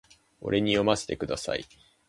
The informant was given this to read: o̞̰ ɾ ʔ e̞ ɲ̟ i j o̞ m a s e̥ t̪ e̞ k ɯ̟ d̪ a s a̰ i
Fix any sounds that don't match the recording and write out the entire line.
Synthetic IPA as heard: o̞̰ ɾ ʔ e̞ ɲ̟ i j o̞ m a s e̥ t̪ e̞ k ɯ̟ d̪ a s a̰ i